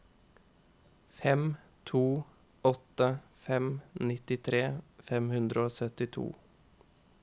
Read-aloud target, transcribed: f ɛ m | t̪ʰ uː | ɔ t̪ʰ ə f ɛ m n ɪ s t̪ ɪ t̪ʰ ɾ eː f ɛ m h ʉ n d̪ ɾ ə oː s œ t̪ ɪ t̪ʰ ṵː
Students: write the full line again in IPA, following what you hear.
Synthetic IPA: f ɛ m | t̪ʰ uː | ɔ t̪ ə f ɛ m n ɪ t̪ ɪ t̪ʰ ɾ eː f ɛ m h ʉ n d̪ ɾ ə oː s œ t̪ ɪ t̪ʰ ṵː